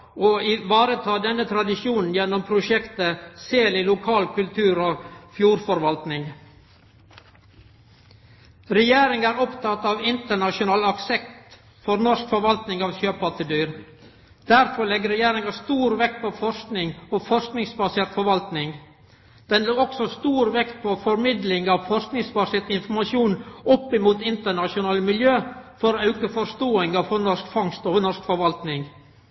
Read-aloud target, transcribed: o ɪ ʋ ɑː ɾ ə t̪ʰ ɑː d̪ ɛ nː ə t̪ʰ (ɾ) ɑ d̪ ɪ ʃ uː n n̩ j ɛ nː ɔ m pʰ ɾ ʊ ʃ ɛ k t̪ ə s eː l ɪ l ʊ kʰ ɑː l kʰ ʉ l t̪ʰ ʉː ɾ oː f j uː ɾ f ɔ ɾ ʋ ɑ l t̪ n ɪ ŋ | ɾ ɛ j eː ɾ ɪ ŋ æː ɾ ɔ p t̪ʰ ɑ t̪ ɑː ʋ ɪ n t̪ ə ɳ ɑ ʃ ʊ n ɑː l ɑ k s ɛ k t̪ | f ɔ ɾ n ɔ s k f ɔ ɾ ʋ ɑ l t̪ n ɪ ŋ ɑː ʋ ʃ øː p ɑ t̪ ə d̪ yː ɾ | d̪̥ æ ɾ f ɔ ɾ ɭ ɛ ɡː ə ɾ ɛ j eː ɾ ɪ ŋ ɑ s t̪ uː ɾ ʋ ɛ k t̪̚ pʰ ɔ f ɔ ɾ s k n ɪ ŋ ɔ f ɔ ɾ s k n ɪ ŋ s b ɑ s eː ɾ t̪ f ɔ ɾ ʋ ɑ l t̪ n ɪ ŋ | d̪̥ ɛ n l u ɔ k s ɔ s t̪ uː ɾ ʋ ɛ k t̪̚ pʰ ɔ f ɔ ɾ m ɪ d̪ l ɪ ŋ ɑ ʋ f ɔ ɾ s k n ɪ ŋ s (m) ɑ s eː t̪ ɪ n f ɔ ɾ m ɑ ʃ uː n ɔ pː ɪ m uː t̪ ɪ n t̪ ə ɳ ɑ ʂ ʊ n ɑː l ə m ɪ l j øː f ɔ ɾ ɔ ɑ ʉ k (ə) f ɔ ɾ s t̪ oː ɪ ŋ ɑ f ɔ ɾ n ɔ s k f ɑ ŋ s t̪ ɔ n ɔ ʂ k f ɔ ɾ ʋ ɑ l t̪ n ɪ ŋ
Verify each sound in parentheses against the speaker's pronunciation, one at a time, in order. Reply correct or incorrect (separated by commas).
correct, incorrect, correct